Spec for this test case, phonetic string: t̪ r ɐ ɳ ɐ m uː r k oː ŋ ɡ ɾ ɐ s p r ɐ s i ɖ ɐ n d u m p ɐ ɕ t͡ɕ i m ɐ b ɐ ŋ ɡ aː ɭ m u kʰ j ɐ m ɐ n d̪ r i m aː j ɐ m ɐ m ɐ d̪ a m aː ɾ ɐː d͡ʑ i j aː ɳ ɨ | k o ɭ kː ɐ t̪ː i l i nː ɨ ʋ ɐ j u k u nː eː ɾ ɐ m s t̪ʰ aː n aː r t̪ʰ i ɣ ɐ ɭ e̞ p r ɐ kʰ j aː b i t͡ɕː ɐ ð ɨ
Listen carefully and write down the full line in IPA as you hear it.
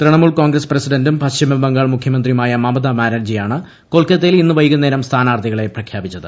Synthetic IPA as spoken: t̪ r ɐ ɳ ɐ m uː ɭ k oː ŋ ɡ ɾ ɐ s p r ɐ s i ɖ ɐ n d u m p ɐ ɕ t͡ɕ i m ɐ b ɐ ŋ ɡ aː ɭ m u kʰ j ɐ m ɐ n d̪ r i m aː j ɐ m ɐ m ɐ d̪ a m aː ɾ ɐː d͡ʑ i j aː ɳ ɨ | k o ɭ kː ɐ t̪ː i l i nː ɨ ʋ ɐ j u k u nː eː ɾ ɐ m s t̪ʰ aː n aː r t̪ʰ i ɣ ɐ ɭ e̞ p r ɐ kʰ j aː b i t͡ɕː ɐ ð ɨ